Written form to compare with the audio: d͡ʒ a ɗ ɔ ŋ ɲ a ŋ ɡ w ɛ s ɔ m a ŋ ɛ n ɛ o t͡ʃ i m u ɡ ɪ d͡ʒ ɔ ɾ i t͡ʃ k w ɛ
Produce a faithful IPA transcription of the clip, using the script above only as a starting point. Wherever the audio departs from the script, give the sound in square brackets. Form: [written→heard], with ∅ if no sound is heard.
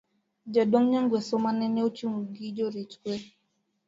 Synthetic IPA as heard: d͡ʒ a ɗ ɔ ŋ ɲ a ŋ ɡ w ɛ s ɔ m a [ŋ→n] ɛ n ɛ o t͡ʃ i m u ɡ [ɪ→i] d͡ʒ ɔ ɾ i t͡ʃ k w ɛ